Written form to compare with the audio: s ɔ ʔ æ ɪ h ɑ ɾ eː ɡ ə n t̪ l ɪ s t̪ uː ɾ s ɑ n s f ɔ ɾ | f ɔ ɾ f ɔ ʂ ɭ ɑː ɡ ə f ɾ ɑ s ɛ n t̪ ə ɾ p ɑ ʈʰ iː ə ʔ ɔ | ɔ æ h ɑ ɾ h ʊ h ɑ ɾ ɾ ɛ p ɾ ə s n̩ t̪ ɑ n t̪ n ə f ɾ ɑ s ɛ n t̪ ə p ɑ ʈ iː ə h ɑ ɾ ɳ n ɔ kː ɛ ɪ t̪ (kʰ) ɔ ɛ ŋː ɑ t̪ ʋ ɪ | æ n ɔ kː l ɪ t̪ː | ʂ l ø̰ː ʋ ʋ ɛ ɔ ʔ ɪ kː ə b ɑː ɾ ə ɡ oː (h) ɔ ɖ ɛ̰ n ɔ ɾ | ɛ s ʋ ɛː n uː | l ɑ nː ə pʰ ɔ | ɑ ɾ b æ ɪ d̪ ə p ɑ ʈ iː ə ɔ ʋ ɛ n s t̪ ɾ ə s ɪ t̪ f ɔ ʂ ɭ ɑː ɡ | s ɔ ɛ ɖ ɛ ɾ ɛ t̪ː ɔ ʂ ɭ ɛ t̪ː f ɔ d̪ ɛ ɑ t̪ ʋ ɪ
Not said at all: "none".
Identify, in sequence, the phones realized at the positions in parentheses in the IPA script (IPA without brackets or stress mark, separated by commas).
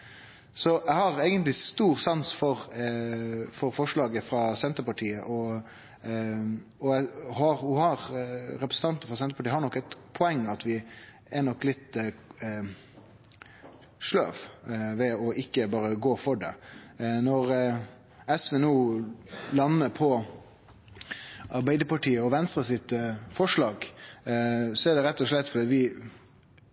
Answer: pʰ, f